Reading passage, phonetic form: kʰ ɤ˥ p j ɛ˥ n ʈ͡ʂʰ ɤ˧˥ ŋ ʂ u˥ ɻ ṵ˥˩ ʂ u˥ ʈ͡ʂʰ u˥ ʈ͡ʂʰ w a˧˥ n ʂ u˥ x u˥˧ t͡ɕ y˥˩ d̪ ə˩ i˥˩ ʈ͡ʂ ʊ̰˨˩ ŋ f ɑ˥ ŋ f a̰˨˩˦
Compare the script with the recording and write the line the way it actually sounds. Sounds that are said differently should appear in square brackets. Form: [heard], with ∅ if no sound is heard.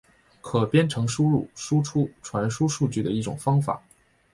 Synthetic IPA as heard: kʰ [ɤ˨˩] p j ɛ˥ n ʈ͡ʂʰ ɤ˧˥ ŋ ʂ u˥ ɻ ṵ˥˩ ʂ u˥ ʈ͡ʂʰ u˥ ʈ͡ʂʰ w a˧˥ n ʂ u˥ [ʂ] u˥˧ t͡ɕ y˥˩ d̪ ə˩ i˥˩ ʈ͡ʂ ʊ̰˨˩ ŋ f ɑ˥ ŋ f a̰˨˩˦